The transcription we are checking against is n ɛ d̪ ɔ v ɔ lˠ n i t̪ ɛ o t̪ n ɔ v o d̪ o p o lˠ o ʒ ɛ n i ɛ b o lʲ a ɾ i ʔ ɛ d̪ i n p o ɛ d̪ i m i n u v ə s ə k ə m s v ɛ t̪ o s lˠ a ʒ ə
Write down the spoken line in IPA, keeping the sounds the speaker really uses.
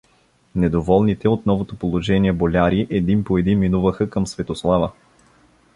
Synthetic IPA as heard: n ɛ d̪ o v ɔ lˠ n i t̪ ɛ o t̪ n ɔ v o t̪ o p o lˠ o ʒ ɛ n i ɛ b o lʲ a ɾ i ʔ ɛ d̪ i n p o ɛ d̪ i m i n u v ə x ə k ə m s v ɛ t̪ o s lˠ a v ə

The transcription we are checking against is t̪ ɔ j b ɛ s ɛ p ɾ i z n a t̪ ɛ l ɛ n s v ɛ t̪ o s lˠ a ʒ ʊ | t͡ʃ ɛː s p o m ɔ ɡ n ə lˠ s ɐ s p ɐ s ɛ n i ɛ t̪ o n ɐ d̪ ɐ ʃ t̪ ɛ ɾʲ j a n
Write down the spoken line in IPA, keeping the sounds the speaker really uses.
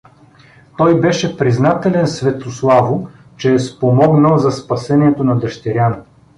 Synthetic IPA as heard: t̪ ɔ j b ɛ ʃ ɛ p ɾ i z n a t̪ ɛ l ɛ n s v ɛ t̪ o s lˠ a v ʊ | t͡ʃ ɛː s p o m ɔ ɡ n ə lˠ z ɐ s p ɐ s ɛ n i ɛ t̪ o n ɐ d̪ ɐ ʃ t̪ ɛ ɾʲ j a n

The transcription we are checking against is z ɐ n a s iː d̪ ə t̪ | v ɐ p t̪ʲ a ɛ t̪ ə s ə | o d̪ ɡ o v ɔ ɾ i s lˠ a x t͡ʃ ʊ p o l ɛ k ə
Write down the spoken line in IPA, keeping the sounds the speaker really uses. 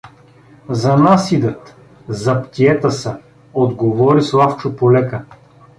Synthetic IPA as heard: z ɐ n a s i d̪ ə t̪ | z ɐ p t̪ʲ i ɛ t̪ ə s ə | o d̪ ɡ o v ɔ ɾ i s lˠ a f t͡ʃ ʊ p o l ɛ k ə

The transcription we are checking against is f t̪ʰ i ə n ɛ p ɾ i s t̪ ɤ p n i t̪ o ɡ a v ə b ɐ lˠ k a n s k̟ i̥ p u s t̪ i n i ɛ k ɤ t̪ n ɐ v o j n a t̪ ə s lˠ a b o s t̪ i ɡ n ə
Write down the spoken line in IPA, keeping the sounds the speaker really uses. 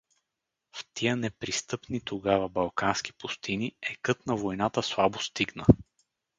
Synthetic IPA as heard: f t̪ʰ i ə n ɛ p ɾ i s t̪ ɤ p n i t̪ o ɡ a v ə b ɐ lˠ k a n s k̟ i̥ p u s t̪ i n i ɛ k ɤ t̪ n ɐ v o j n a t̪ ə s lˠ a b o s t̪ i ɡ n ə

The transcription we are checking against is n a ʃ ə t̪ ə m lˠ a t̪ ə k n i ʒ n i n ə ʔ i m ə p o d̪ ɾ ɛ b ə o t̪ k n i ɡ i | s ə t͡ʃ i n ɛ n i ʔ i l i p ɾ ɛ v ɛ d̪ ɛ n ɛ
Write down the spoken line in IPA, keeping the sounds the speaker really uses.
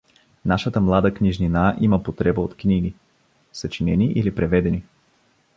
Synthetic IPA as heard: n a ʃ ə t̪ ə m lˠ a d̪ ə k n i ʒ n i n a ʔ i m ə p o t̪ ɾ ɛ b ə o t̪ k n i ɡ i | s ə t͡ʃ i n ɛ n i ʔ i l i p ɾ ɛ v ɛ d̪ ɛ n i

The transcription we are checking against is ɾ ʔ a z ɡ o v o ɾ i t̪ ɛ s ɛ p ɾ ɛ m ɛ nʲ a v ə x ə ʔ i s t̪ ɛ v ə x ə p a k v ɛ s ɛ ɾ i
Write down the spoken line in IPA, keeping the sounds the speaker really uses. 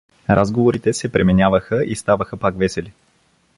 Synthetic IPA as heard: ɾ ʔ a z ɡ o v o ɾ i t̪ ɛ s ɛ p ɾ ɛ m ɛ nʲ a v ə x ə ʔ i s t̪ a v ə x ə p a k v ɛ s ɛ l i

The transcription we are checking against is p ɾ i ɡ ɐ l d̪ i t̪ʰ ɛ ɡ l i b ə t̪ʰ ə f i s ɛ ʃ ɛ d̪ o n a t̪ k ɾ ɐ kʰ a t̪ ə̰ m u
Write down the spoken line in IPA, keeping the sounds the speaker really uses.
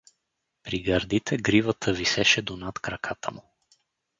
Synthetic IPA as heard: p ɾ i ɡ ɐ ɾ d̪ i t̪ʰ ɛ ɡ ɾ i v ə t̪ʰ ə v i s ɛ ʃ ɛ d̪ o n a t̪ k ɾ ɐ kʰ a t̪ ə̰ m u

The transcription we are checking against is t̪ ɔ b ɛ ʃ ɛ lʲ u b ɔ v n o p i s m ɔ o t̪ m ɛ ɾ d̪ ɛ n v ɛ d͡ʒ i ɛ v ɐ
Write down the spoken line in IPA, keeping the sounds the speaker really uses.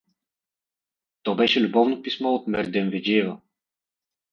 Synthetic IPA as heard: t̪ ɔ b ɛ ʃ ɛ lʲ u b ɔ v n o p i s m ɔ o t̪ m ɛ ɾ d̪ ɛ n v ɛ d͡ʒ i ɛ v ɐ

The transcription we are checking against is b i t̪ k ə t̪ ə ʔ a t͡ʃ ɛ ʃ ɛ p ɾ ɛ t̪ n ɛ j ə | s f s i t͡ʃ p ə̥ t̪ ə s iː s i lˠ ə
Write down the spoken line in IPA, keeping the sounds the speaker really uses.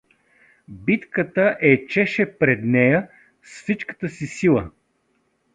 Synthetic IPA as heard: b i t̪ k ə t̪ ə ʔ ɛ t͡ʃ ɛ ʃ ɛ p ɾ ɛ d̪ n ɛ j ə | s f s i t͡ʃ k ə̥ t̪ ə s i s i lˠ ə

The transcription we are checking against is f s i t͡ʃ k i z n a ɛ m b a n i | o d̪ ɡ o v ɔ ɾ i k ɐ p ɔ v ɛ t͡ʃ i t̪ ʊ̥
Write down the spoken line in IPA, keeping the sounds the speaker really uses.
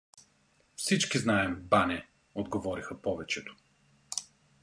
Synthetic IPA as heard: f s i t͡ʃ k i z n a ɛ m b a n ɛ | o d̪ ɡ o v ɔ ɾ i x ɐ p ɔ v ɛ t͡ʃ ɛ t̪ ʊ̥

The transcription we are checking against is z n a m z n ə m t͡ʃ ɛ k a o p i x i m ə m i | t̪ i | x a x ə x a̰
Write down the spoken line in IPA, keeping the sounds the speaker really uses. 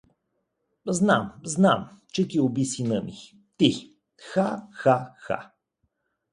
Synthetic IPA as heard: z n a m z n a m t͡ʃ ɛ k i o b i s i n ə m i | t̪ i | x a x a x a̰

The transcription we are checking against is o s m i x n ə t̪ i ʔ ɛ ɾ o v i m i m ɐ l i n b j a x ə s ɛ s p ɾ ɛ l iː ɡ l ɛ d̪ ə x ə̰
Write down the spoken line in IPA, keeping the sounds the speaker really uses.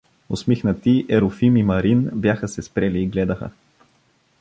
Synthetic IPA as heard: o s m i x n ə t̪ i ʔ ɛ ɾ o f i m i m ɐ ɾ i n b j a x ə s ɛ s p ɾ ɛ l iː ɡ l ɛ d̪ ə x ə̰

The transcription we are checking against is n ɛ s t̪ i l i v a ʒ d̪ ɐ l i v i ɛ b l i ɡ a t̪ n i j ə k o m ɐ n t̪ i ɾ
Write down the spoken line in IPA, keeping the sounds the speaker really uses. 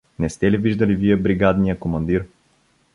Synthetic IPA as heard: n ɛ s t̪ ɛ l i v i ʒ d̪ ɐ l i v i ɛ b ɾ i ɡ a d̪ n i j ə k o m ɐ n d̪ i ɾ

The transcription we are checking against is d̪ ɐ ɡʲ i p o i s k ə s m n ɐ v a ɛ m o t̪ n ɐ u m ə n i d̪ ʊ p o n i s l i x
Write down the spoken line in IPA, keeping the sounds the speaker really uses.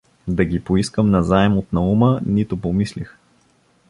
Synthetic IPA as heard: d̪ ɐ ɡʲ i p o i s k ə m n ɐ z a ɛ m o t̪ n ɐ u m ə n i t̪ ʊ p o m i s l i x

